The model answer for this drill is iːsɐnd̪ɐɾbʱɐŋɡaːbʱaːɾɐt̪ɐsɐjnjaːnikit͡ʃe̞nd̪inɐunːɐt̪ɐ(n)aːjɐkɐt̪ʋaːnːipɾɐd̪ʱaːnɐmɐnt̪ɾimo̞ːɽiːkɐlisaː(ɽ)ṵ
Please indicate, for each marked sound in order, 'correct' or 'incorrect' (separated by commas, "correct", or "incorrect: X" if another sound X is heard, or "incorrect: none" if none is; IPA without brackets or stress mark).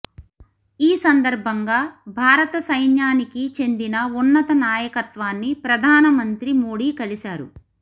correct, incorrect: ɾ